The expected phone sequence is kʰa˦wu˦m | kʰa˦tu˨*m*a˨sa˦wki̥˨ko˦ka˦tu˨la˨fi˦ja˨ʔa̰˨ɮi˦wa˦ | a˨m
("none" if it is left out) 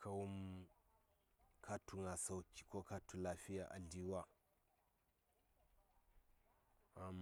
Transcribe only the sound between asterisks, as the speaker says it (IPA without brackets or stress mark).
ŋ